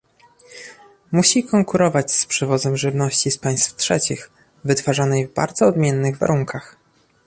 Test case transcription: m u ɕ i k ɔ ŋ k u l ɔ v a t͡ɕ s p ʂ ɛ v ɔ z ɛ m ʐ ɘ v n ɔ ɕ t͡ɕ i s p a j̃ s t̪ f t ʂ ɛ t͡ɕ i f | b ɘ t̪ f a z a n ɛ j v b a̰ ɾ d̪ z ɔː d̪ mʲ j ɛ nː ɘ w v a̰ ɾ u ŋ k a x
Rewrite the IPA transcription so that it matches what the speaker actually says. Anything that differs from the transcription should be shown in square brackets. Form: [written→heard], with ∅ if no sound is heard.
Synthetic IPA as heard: m u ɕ i k ɔ ŋ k u [l→ɾ] ɔ v a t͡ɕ s p ʂ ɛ v ɔ z ɛ m ʐ ɘ v n ɔ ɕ t͡ɕ i s p a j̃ s t̪ f t ʂ ɛ t͡ɕ i [f→x] | [b→v] ɘ t̪ f a [z→ʐ] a n ɛ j v b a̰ ɾ d̪ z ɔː d̪ mʲ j ɛ nː ɘ [w→ɣ] v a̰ ɾ u ŋ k a x